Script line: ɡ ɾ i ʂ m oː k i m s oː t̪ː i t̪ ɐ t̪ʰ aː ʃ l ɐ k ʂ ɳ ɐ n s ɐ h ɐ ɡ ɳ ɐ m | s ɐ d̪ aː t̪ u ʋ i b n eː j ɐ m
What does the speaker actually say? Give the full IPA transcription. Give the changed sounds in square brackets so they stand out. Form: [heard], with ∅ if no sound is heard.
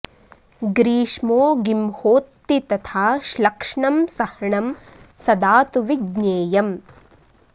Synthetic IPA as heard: ɡ ɾ [iː] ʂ m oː [ɡ] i m [h] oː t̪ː i t̪ ɐ t̪ʰ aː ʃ l ɐ k ʂ ɳ ɐ [m] s ɐ h ɐ [∅] ɳ ɐ m | s ɐ d̪ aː t̪ u ʋ i [ɡ] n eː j ɐ m

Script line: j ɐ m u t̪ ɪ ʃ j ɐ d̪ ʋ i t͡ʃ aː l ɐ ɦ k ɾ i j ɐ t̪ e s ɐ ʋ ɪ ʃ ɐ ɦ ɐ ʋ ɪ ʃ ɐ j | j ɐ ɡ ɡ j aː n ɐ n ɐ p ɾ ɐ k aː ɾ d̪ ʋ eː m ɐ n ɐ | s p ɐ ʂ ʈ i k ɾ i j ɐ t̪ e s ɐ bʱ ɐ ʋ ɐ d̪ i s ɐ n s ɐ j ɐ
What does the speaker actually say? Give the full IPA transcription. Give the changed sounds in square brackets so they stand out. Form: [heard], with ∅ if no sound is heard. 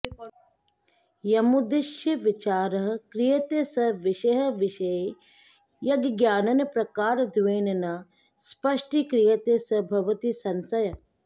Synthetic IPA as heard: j ɐ m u [d̪] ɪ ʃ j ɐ [∅] ʋ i t͡ʃ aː [ɾ] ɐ ɦ k ɾ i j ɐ t̪ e s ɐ ʋ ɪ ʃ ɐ ɦ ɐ ʋ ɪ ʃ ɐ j | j ɐ ɡ ɡ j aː n ɐ n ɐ p ɾ ɐ k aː ɾ d̪ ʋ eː [n] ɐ n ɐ | s p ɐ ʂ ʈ i k ɾ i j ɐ t̪ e s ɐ bʱ ɐ ʋ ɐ [t̪] i s ɐ n s ɐ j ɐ

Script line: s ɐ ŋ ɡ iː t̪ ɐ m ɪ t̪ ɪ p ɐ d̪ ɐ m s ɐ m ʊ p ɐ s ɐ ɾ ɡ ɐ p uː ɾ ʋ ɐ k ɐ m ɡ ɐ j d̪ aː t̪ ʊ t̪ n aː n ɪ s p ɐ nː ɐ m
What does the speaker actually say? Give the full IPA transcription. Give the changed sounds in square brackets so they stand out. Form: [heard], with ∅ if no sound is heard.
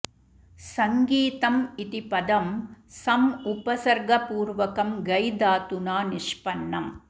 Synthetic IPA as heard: s ɐ ŋ ɡ iː t̪ ɐ m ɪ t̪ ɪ p ɐ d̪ ɐ m s ɐ m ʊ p ɐ s ɐ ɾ ɡ ɐ p uː ɾ ʋ ɐ k ɐ m ɡ ɐ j d̪ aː t̪ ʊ [∅] n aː n ɪ [ʂ] p ɐ nː ɐ m

